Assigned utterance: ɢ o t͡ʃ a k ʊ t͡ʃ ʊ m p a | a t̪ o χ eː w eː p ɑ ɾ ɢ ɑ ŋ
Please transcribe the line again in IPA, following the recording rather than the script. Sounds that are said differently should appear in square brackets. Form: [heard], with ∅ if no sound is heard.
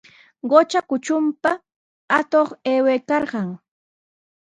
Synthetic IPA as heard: ɢ o t͡ʃ a k ʊ t͡ʃ ʊ m p a | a t̪ o χ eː w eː [k] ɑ ɾ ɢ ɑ ŋ